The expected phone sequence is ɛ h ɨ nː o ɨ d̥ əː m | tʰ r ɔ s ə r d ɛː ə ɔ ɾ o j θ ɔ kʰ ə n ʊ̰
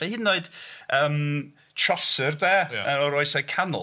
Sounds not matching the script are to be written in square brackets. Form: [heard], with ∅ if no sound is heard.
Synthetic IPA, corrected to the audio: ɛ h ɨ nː o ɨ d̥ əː m | tʰ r ɔ s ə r d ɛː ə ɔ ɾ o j [s] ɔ kʰ [a] n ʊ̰